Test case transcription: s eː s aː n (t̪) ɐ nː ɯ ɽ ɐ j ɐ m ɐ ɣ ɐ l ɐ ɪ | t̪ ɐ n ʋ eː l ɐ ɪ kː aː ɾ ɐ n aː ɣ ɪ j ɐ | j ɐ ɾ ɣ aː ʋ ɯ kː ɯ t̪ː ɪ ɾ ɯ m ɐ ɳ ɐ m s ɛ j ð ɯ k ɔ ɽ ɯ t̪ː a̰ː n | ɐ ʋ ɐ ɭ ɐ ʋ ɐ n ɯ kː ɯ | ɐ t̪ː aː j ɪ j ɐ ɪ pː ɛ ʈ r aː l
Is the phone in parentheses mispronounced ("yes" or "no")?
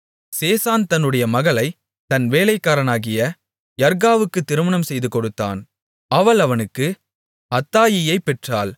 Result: no